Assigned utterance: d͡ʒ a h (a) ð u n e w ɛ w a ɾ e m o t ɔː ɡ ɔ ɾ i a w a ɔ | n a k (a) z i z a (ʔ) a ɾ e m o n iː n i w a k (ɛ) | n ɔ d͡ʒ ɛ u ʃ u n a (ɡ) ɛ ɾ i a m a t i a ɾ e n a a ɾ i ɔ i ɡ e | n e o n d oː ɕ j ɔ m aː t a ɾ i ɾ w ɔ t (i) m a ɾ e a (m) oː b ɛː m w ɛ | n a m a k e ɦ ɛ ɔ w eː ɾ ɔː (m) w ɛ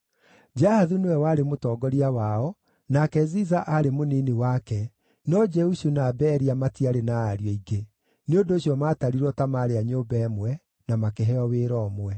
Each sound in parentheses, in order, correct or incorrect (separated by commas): correct, incorrect, correct, correct, incorrect, incorrect, incorrect, correct